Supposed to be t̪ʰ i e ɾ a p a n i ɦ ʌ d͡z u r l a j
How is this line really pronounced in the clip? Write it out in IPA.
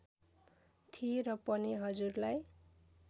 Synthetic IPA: t̪ʰ i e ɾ ʌ p ʌ n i ɦ ʌ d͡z u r l a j